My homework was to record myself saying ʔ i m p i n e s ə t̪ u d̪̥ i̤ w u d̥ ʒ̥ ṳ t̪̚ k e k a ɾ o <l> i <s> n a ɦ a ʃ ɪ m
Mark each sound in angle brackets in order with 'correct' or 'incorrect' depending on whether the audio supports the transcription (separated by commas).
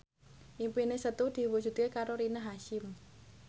incorrect, incorrect